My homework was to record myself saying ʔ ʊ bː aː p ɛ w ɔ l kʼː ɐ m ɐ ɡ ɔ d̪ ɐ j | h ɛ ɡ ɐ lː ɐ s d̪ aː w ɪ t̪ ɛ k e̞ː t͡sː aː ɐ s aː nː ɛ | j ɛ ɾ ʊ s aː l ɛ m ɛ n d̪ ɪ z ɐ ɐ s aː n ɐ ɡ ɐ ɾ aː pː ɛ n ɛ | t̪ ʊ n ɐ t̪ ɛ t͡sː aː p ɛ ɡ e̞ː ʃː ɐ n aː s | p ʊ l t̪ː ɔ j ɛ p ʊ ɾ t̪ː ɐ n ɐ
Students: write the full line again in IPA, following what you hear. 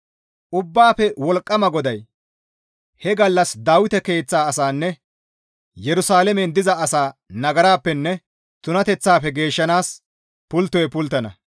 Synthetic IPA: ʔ ʊ bː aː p ɛ w ɔ l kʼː ɐ m ɐ ɡ ɔ d̪ ɐ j | h ɛ ɡ ɐ lː ɐ s d̪ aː w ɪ t̪ ɛ k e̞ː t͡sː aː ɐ s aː nː ɛ | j ɛ ɾ ʊ s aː l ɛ m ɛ n d̪ ɪ z ɐ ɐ s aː n ɐ ɡ ɐ ɾ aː pː ɛ nː ɛ | t̪ ʊ n ɐ t̪ ɛ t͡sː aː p ɛ ɡ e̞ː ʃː ɐ n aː s | p ʊ l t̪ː ɔ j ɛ p ʊ l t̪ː ɐ n ɐ

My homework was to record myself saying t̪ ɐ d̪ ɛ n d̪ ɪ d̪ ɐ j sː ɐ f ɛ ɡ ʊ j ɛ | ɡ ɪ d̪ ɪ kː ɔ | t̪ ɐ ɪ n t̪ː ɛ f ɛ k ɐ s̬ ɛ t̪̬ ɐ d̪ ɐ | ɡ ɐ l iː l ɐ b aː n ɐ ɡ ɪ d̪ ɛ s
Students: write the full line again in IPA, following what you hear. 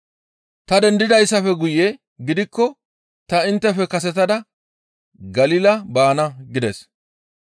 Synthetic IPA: t̪ ɐ d̪ ɛ n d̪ ɪ d̪ ɐ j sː ɐ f ɛ ɡ ʊ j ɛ | ɡ ɪ d̪ ɪ kː ɔ | t̪ ɐ ɪ n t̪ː ɛ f ɛ k ɐ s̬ ɛ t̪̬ ɐ d̪ ɐ | ɡ ɐ l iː l ɐ b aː n ɐ ɡ ɪ d̪ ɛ s

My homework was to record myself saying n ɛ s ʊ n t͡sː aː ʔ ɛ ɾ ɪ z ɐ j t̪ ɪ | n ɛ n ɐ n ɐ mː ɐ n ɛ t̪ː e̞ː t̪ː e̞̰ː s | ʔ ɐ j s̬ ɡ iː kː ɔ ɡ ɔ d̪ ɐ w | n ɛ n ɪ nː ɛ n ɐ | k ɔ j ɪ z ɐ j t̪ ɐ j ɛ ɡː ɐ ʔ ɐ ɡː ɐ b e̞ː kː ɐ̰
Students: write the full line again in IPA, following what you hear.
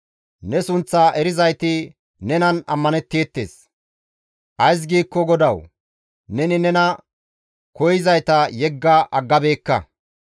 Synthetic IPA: n ɛ s ʊ n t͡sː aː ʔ ɛ ɾ ɪ z ɐ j t̪ ɪ | n ɛ n ɐ n ɐ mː ɐ n ɛ t̪ː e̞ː t̪ː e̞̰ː s | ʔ ɐ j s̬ ɡ iː kː ɔ ɡ ɔ d̪ ɐ w | n ɛ n ɪ n ɛ n ɐ | k ɔ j ɪ z ɐ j t̪ ɐ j ɛ ɡː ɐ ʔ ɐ ɡː ɐ b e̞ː kː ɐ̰

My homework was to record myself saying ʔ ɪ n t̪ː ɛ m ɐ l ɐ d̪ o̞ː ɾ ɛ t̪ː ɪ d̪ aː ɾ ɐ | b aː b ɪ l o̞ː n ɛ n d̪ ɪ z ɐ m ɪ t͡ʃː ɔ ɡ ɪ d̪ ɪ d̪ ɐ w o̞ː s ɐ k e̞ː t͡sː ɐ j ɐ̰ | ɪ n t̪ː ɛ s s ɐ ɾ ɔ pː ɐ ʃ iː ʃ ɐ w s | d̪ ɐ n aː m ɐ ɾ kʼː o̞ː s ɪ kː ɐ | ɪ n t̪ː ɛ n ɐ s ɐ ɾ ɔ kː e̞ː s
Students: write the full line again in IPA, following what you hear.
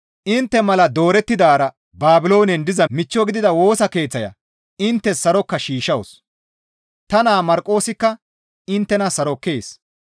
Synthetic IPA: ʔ ɪ n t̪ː ɛ m ɐ l ɐ d̪ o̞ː ɾ ɛ t̪ː ɪ d̪ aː ɾ ɐ | b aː b ɪ l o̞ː n ɛ n d̪ ɪ z ɐ m ɪ t͡ʃː ɔ ɡ ɪ d̪ ɪ d̪ ɐ w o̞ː s ɐ k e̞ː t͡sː ɐ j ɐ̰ | ɪ n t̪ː ɛ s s ɐ ɾ ɔ kː ɐ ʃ iː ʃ ɐ w s | t̪ ɐ n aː m ɐ ɾ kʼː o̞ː s ɪ kː ɐ | ɪ n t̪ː ɛ n ɐ s ɐ ɾ ɔ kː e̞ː s

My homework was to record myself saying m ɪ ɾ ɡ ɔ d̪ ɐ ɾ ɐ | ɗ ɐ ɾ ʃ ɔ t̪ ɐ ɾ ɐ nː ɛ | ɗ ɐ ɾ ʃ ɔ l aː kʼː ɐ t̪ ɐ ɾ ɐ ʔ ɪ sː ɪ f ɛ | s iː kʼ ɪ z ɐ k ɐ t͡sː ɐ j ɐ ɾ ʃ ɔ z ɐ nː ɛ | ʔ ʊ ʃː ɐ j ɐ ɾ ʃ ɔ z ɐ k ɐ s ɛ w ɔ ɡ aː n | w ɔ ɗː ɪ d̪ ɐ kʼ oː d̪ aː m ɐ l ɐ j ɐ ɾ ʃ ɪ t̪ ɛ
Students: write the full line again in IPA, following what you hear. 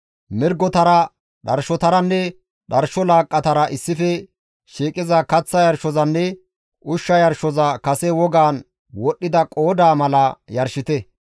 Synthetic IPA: m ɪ ɾ ɡ ɔ t̪ ɐ ɾ ɐ | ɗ ɐ ɾ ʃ ɔ t̪ ɐ ɾ ɐ nː ɛ | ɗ ɐ ɾ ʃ ɔ l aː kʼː ɐ t̪ ɐ ɾ ɐ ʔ ɪ sː ɪ f ɛ | ʃ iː kʼ ɪ z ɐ k ɐ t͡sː ɐ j ɐ ɾ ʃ ɔ z ɐ nː ɛ | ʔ ʊ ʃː ɐ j ɐ ɾ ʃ ɔ z ɐ k ɐ s ɛ w ɔ ɡ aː n | w ɔ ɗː ɪ d̪ ɐ kʼ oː d̪ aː m ɐ l ɐ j ɐ ɾ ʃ ɪ t̪ ɛ

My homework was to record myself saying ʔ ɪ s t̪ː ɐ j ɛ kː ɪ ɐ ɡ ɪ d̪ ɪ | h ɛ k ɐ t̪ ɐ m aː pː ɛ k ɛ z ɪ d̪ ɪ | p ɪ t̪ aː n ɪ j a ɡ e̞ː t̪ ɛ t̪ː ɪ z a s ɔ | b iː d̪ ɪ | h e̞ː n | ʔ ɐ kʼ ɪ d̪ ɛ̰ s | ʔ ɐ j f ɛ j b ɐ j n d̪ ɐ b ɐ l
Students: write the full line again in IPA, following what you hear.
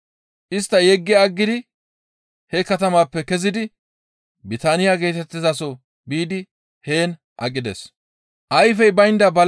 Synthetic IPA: ʔ ɪ s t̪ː ɐ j ɛ ɡː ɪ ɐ ɡː ɪ d̪ ɪ | h ɛ k ɐ t̪ ɐ m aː pː ɛ k ɛ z ɪ d̪ ɪ | b ɪ t̪ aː n ɪ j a ɡ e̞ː t̪ ɛ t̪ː ɪ z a s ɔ | b iː d̪ ɪ | h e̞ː n | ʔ ɐ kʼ ɪ d̪ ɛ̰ s | ʔ ɐ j f ɛ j b ɐ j n d̪ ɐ b ɐ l

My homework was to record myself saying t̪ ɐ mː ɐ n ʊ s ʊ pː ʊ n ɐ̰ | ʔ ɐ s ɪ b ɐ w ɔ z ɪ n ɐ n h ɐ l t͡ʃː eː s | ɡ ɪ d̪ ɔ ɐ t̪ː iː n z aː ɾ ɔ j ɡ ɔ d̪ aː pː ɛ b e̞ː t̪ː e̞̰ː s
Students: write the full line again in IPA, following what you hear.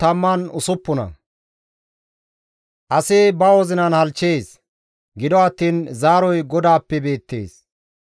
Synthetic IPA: t̪ ɐ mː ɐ n ʊ s ʊ pː ʊ n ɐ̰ | ʔ ɐ s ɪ b ɐ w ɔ z ɪ n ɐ n h ɐ l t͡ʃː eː s | ɡ ɪ d̪ ɔ ɐ t̪ː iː n z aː ɾ ɔ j ɡ ɔ d̪ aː pː ɛ b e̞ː t̪ː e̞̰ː s

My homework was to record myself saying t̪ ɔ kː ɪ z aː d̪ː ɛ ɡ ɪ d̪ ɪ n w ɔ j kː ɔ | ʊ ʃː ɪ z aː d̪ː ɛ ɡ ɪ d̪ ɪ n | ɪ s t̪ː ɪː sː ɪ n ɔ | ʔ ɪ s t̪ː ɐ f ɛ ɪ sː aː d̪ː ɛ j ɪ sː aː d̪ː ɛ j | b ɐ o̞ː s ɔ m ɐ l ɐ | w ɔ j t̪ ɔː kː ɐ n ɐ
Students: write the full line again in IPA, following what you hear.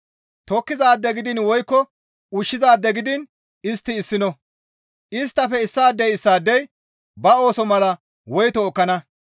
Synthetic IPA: t̪ ɔ kː ɪ z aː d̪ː ɛ ɡ ɪ d̪ ɪ n w ɔ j kː ɔ | ʊ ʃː ɪ z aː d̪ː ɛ ɡ ɪ d̪ ɪ n | ɪ s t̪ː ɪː sː ɪ n ɔ | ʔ ɪ s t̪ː ɐ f ɛ ɪ sː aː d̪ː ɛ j ɪ sː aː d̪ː ɛ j | b ɐ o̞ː s ɔ m ɐ l ɐ | w ɔ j t̪ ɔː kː ɐ n ɐ

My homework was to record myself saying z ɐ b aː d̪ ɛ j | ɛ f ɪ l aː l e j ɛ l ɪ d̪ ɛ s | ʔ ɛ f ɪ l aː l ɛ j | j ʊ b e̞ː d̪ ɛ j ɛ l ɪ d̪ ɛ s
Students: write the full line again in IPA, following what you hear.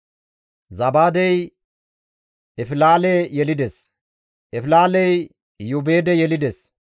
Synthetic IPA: z ɐ b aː d̪ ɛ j | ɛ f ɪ l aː l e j ɛ l ɪ d̪ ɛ s | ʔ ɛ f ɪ l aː l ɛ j | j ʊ b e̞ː d̪ ɛ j ɛ l ɪ d̪ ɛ s

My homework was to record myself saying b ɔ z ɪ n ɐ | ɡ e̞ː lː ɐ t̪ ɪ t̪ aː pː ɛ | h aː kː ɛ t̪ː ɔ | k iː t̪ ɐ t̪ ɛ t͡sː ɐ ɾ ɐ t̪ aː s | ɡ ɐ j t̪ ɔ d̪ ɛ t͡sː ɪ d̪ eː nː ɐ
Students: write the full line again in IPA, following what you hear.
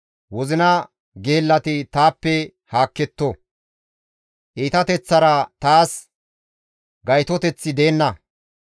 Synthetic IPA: w ɔ z ɪ n ɐ | ɡ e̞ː lː ɐ t̪ ɪ t̪ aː pː ɛ | h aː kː ɛ t̪ː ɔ | ʔ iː t̪ ɐ t̪ ɛ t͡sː ɐ ɾ ɐ t̪ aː s | ɡ ɐ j t̪ ɔ t̪ ɛ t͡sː ɪ d̪ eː nː ɐ

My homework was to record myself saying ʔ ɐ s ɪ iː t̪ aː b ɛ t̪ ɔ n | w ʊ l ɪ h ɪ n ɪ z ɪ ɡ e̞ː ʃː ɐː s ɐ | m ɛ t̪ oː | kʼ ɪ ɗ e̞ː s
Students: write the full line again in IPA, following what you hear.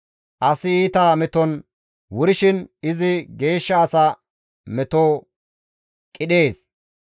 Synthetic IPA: ʔ ɐ s ɪ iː t̪ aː m ɛ t̪ ɔ n | w ʊ ɾ ɪ ʃ ɪ n ɪ z ɪ ɡ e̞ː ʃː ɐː s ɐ | m ɛ t̪ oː | kʼ ɪ ɗ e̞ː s

